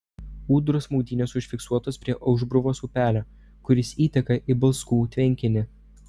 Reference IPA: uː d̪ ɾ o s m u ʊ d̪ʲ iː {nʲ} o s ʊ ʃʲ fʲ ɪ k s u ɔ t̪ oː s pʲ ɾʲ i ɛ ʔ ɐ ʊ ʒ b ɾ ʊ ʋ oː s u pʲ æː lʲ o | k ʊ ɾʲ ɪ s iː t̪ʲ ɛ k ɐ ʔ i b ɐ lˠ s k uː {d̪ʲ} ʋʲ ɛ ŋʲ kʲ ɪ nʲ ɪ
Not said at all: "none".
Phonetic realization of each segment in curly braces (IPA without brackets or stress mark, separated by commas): nʲ, t̪ʲ